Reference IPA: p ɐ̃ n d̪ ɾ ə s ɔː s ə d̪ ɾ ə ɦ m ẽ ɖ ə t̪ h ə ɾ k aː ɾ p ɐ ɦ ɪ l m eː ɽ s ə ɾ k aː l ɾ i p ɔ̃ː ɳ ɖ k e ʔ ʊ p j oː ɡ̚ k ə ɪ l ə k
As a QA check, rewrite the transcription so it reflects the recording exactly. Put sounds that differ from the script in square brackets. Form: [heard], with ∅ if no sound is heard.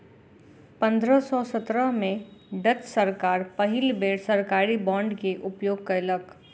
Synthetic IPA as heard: p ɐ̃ n d̪ ɾ ə s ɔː s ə [t̪] ɾ ə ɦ m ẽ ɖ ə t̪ [s] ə ɾ k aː ɾ p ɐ ɦ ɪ l [b] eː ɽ s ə ɾ k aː [∅] ɾ i [b] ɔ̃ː ɳ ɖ k e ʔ ʊ p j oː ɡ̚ k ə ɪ l ə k